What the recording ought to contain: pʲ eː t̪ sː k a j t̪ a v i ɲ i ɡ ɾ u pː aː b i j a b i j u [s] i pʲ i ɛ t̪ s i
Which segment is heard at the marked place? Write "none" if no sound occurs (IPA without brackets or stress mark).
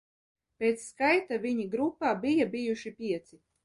ʃ